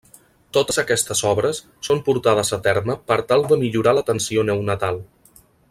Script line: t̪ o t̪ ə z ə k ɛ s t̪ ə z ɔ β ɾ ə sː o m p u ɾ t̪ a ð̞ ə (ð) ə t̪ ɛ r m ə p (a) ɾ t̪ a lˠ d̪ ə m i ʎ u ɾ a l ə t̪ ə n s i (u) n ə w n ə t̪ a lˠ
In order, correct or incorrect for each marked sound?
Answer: incorrect: z, incorrect: ə, incorrect: o

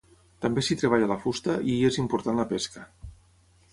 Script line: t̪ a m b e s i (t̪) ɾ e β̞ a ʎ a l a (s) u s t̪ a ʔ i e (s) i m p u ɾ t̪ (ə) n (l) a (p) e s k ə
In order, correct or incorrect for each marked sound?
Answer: correct, incorrect: f, incorrect: z, incorrect: a, correct, correct

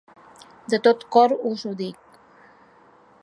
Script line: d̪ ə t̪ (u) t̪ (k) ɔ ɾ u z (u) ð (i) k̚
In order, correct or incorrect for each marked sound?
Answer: incorrect: o, correct, correct, correct

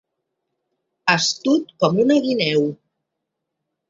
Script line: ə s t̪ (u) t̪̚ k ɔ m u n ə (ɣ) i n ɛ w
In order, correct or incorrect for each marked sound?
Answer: correct, correct

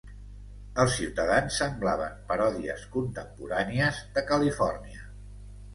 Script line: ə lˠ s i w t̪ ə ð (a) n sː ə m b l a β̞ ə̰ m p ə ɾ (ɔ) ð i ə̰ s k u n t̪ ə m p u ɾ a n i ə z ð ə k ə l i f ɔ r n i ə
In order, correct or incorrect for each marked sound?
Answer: correct, correct

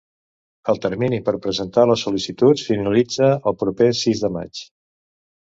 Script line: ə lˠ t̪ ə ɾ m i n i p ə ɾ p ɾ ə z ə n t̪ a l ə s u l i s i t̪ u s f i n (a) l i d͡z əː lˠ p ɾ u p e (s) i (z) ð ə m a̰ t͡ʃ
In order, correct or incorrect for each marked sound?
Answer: incorrect: ə, correct, correct

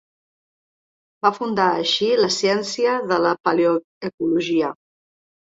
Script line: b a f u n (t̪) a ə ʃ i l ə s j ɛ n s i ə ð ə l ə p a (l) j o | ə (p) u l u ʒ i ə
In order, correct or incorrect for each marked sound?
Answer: incorrect: d̪, correct, incorrect: k

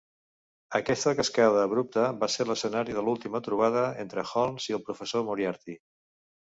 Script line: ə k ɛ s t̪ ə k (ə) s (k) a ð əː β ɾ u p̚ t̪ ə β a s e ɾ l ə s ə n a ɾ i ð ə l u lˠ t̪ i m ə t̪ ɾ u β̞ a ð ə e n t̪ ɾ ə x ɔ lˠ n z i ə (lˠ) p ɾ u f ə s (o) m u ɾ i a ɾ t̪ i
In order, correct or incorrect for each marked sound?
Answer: correct, correct, correct, correct

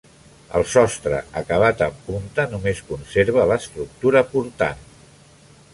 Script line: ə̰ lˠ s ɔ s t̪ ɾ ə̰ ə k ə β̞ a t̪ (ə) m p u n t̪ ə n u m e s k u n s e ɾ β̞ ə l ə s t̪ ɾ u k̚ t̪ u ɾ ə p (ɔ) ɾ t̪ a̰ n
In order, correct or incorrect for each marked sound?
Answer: correct, incorrect: u

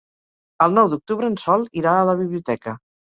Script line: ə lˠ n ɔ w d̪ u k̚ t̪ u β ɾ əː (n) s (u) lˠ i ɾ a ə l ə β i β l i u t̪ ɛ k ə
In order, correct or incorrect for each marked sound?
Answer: correct, incorrect: ɔ

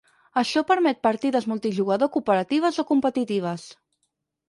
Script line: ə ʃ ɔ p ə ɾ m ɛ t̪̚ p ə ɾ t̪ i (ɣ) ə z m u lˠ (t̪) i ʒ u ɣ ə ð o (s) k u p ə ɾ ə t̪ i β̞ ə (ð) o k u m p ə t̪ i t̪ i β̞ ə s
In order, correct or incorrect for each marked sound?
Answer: incorrect: ð, correct, incorrect: none, incorrect: z

